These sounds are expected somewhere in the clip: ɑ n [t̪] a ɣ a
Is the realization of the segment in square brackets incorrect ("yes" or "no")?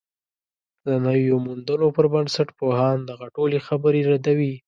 yes